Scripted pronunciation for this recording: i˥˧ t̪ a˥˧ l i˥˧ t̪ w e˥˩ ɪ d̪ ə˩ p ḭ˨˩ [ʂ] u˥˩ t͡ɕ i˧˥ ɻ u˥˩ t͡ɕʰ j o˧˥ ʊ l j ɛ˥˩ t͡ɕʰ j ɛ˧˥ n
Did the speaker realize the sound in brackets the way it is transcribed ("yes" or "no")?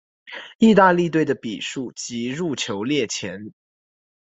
yes